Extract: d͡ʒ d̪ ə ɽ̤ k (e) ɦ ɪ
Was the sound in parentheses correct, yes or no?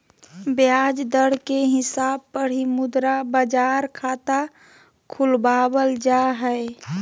yes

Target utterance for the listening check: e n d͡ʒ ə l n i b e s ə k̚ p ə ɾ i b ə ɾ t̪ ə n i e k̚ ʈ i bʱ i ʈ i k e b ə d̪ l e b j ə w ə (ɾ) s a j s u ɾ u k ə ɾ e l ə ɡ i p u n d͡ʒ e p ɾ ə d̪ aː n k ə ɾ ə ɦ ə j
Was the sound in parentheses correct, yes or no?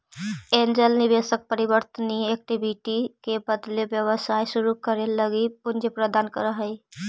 no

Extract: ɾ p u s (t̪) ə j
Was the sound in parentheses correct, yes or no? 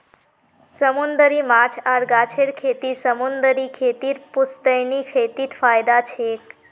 yes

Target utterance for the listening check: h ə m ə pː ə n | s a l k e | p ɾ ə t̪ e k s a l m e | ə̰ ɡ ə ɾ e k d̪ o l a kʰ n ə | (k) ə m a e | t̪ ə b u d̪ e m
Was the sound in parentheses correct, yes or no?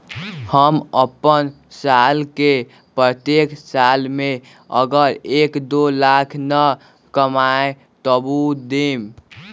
yes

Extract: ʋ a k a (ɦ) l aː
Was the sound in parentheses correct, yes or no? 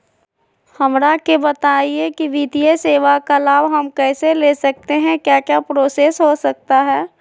no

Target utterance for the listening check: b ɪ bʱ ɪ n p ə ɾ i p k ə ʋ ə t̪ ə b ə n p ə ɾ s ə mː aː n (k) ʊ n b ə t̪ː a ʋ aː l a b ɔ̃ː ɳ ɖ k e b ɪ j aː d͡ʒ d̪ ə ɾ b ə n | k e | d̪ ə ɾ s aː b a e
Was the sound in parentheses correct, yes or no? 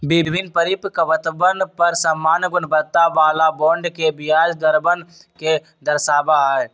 no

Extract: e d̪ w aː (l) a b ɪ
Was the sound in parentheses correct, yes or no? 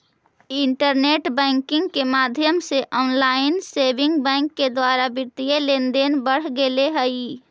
no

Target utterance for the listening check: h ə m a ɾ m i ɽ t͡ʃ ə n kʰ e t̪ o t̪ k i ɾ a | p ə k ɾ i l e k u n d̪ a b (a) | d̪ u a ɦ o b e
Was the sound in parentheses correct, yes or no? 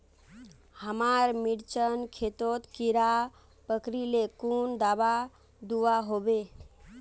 yes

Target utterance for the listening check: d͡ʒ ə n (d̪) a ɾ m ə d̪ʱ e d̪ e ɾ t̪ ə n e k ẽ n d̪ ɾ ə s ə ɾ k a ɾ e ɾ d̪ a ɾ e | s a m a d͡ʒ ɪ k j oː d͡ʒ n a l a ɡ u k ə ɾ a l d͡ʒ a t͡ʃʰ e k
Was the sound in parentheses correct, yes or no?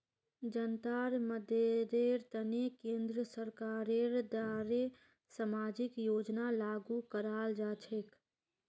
no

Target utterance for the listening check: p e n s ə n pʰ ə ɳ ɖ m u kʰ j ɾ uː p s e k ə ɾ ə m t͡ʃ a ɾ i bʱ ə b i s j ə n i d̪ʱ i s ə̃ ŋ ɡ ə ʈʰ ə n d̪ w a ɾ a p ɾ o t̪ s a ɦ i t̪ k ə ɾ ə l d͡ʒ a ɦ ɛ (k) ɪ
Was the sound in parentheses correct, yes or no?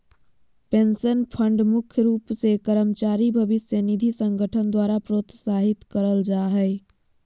no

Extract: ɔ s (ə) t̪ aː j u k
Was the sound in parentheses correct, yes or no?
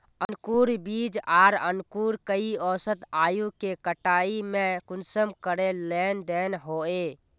yes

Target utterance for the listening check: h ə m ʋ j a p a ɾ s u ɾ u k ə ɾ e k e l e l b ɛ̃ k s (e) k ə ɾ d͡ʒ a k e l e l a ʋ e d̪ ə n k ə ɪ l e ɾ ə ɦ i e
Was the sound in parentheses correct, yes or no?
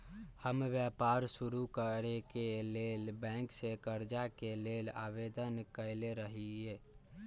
yes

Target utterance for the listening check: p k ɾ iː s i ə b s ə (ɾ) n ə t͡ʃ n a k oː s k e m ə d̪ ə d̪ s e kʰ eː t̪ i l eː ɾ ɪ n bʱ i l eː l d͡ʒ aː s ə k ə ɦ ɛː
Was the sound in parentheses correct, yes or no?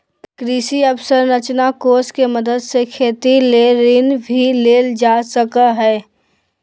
yes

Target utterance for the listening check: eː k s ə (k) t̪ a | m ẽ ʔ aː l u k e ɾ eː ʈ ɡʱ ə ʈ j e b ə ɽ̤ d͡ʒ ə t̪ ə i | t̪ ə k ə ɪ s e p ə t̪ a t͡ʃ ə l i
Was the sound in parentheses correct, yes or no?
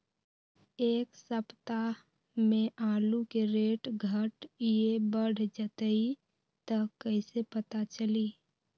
no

